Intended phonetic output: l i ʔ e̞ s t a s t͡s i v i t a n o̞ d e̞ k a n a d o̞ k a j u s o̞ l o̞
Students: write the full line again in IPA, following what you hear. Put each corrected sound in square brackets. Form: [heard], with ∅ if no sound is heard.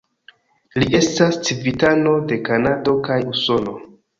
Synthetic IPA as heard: l i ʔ e̞ s t a s t͡s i v i t a n o̞ d e̞ k a n a d o̞ k a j u s o̞ l o̞